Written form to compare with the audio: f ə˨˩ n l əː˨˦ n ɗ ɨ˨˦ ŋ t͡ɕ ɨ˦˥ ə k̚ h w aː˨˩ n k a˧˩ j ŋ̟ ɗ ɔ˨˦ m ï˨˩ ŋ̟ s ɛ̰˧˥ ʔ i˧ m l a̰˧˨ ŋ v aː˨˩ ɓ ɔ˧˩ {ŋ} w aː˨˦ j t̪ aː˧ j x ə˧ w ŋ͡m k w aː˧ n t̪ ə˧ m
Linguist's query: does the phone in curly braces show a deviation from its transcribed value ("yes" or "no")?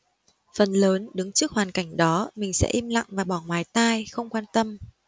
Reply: no